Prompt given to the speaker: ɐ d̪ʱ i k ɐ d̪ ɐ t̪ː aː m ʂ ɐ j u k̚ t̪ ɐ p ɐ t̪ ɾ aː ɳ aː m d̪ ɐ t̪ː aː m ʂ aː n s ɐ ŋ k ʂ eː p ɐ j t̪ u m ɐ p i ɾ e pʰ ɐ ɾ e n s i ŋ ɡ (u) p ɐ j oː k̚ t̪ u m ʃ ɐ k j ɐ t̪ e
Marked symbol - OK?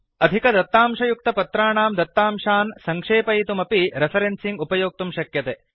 yes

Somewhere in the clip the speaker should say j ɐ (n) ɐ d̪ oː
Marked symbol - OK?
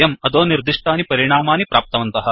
no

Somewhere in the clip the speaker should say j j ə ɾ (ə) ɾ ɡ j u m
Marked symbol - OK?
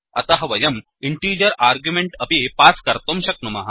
no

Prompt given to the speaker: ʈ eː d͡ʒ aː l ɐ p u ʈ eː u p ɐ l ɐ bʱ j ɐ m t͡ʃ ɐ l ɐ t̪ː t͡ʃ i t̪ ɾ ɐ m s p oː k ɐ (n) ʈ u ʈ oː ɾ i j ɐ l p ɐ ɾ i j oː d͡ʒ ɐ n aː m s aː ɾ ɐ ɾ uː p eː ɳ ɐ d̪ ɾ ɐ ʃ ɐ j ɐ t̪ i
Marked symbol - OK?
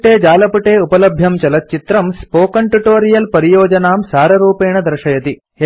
no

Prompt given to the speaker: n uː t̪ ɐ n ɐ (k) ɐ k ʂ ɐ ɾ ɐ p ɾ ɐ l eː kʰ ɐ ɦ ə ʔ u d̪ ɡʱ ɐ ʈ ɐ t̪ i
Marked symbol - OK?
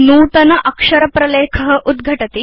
no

